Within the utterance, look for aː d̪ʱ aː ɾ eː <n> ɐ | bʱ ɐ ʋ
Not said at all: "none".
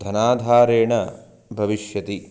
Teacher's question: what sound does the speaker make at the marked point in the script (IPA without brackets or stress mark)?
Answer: ɳ